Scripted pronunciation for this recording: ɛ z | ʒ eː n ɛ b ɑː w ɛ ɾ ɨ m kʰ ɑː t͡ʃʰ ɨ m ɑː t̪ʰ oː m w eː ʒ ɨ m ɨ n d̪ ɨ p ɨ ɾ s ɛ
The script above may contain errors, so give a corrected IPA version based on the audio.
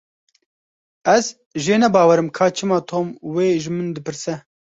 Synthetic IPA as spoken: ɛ z | ʒ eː n ɛ b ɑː w ɛ ɾ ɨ m kʰ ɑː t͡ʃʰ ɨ m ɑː t̪ʰ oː m w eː ʒ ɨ m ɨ n d̪ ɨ p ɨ ɾ s ɛ